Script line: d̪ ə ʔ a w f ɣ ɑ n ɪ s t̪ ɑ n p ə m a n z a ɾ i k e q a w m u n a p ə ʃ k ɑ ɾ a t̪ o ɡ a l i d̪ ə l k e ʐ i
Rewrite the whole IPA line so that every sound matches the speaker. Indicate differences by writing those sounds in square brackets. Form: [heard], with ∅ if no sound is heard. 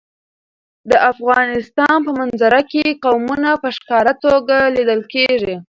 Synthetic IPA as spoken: d̪ ə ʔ a [∅] f ɣ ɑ n ɪ s t̪ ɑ n p ə m a n z a ɾ [a] k e q a w m u n a p ə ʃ k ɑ ɾ a t̪ o ɡ a l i d̪ ə l k e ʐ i